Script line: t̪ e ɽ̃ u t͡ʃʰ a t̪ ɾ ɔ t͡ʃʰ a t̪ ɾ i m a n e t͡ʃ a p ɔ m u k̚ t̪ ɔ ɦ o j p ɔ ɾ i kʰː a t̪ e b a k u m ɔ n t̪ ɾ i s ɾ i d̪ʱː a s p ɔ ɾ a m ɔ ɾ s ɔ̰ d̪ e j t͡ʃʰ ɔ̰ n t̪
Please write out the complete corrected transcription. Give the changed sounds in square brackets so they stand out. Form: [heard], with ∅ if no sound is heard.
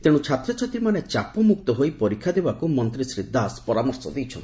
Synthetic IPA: t̪ e ɽ̃ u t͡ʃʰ a t̪ ɾ ɔ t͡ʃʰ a t̪ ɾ i m a n e t͡ʃ a p ɔ m u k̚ t̪ ɔ ɦ o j p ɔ ɾ i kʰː a [d̪] e b a k u m ɔ n t̪ ɾ i s ɾ i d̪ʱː a s p ɔ ɾ a m ɔ ɾ s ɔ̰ d̪ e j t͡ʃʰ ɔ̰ n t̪